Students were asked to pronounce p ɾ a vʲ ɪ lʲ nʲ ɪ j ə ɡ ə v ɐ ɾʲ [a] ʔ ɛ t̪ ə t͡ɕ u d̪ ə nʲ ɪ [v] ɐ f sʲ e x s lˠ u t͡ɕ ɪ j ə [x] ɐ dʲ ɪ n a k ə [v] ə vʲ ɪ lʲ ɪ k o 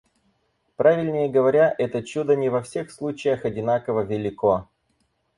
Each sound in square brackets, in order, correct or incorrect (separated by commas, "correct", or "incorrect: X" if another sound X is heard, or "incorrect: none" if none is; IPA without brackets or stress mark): correct, correct, correct, correct